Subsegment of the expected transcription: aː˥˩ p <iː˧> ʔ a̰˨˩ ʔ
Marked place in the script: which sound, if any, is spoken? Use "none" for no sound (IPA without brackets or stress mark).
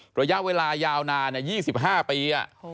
iː˧